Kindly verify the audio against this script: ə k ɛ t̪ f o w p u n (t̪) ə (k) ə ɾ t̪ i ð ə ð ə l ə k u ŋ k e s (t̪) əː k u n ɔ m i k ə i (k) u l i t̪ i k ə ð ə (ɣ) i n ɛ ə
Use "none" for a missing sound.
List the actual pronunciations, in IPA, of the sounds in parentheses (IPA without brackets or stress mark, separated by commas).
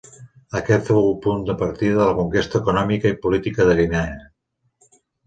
d̪, p, t̪, p, ɣ